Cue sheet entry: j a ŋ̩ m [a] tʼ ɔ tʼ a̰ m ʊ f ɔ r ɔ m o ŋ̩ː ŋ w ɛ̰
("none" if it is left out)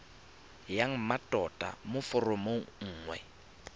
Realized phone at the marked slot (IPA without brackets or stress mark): a